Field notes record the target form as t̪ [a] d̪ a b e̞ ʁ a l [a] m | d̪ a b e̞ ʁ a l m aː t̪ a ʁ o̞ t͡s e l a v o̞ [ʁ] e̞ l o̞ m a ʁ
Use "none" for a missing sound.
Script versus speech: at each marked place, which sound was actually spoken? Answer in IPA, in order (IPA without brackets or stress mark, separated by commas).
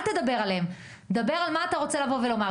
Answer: e, e, v